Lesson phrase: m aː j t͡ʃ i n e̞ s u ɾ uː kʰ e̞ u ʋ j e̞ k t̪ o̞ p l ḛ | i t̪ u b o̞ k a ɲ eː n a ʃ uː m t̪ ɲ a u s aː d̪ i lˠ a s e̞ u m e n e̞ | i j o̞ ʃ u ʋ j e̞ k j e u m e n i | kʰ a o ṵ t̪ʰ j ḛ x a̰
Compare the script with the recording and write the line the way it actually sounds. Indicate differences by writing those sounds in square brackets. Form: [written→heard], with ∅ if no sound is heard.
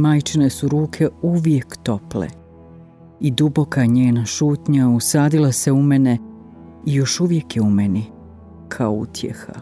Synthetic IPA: m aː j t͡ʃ i n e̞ s u ɾ uː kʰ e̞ u ʋ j e̞ k t̪ o̞ p l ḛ | i [t̪→d̪] u b o̞ k a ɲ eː n a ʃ uː [m→∅] t̪ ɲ a u s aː d̪ i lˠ a s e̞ u m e n e̞ | i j o̞ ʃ u ʋ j e̞ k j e u m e n i | kʰ a o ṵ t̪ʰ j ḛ x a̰